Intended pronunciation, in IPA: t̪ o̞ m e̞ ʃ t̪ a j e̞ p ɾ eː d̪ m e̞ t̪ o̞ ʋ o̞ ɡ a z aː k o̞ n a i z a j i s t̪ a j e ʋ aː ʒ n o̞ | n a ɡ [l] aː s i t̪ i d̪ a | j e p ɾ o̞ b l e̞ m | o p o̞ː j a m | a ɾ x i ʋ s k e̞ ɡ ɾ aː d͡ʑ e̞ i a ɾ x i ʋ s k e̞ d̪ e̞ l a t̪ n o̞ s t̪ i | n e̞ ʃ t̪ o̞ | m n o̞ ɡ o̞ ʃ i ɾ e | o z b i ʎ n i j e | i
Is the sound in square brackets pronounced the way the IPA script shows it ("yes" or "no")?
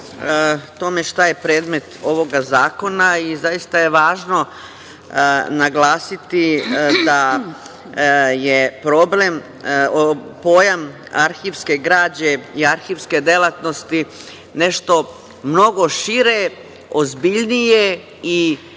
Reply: yes